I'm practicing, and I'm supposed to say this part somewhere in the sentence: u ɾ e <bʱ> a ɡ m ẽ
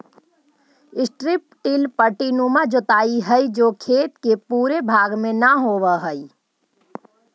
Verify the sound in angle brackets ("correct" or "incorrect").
correct